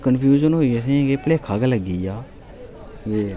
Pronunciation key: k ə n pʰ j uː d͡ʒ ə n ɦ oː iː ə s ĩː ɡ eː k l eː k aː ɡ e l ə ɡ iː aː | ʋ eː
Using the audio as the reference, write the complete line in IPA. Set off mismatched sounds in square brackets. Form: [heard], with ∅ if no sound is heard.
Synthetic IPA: k ə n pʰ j uː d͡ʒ ə n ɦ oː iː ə s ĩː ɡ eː [p] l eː [kʰ] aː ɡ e l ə ɡ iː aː | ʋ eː